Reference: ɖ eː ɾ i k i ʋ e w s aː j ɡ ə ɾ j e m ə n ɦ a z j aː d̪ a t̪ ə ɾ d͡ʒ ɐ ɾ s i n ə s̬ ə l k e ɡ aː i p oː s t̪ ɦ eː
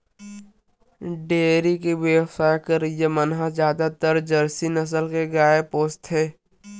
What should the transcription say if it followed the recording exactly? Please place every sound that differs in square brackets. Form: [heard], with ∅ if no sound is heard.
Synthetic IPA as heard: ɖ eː ɾ i k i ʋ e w s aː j [k] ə ɾ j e m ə n ɦ a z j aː d̪ a t̪ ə ɾ d͡ʒ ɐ ɾ s i n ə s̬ ə l k e ɡ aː [e] p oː s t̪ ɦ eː